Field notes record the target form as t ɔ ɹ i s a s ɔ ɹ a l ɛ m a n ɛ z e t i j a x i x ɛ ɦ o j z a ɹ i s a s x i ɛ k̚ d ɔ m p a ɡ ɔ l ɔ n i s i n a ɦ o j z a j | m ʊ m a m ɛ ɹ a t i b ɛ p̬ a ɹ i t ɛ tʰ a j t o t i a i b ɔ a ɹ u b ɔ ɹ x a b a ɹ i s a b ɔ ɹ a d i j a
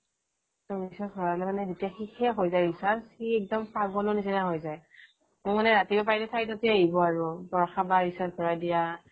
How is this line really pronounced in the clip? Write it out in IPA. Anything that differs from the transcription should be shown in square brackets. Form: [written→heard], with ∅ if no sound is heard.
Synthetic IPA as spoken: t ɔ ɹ i s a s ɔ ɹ a l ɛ m a n ɛ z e t i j a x i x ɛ ɦ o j z a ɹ i s a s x i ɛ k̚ d ɔ m p a ɡ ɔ l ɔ n i s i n a ɦ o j z a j | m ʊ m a [m→n] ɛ ɹ a t i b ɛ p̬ a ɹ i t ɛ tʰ a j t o t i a i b ɔ a ɹ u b ɔ ɹ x a b a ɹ i s a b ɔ ɹ a d i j a